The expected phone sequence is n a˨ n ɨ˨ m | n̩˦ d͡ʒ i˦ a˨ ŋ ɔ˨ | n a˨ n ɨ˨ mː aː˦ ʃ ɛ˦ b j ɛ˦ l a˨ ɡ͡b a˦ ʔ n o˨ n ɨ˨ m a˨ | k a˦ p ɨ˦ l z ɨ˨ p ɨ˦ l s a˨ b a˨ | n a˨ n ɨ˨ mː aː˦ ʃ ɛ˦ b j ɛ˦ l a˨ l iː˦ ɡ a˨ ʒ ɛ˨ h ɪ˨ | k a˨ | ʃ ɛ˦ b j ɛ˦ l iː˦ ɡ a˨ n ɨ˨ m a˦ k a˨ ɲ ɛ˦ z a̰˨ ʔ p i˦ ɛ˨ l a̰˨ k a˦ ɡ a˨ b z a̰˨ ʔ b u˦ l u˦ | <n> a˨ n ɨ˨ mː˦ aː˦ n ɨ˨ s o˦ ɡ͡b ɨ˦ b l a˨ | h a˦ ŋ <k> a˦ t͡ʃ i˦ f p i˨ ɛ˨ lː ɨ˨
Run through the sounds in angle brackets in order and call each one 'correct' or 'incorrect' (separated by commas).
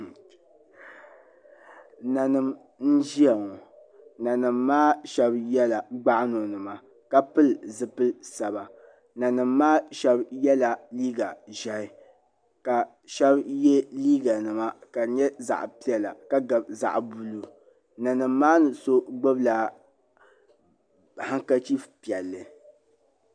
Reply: correct, correct